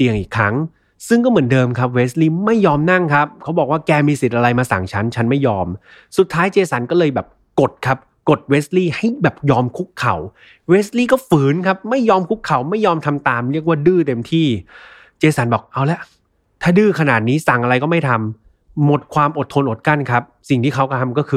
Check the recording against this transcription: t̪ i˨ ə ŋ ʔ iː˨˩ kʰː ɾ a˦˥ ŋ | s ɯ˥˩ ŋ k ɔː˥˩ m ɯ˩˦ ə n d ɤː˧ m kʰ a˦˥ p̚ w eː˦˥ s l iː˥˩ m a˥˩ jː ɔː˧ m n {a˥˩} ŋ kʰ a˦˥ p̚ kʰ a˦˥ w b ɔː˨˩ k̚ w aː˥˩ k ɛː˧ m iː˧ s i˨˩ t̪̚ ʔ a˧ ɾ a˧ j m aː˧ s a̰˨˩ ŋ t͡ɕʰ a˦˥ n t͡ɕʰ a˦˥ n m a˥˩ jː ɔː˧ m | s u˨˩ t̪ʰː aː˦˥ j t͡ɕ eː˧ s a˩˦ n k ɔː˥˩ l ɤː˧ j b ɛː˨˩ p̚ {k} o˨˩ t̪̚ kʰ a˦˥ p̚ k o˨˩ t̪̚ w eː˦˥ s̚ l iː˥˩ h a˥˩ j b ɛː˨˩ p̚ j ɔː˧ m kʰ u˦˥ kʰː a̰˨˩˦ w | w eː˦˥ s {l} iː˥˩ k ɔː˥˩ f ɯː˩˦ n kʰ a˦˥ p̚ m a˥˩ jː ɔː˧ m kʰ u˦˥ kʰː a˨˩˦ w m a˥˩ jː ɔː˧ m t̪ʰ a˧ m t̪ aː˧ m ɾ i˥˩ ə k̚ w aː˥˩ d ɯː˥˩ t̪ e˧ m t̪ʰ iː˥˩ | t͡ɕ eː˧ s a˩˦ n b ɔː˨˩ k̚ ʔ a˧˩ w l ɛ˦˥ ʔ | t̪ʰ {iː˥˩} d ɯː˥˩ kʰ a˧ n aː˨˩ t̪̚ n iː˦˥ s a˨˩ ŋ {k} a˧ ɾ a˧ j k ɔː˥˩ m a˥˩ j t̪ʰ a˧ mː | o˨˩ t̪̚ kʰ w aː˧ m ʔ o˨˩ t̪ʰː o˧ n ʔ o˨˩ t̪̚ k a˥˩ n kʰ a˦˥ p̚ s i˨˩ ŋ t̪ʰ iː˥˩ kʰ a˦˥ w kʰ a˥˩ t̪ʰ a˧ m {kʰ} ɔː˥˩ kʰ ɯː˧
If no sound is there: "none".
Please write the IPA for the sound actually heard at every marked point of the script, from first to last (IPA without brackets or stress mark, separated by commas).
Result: a˥˩, k, l, aː˥˩, ʔ, k